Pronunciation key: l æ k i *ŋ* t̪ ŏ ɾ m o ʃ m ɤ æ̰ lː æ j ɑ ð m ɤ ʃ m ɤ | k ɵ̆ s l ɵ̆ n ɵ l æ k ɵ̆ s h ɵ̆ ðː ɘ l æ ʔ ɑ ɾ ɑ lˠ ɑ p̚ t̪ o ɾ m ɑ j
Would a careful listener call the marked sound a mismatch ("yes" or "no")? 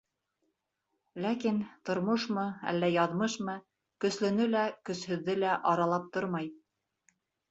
yes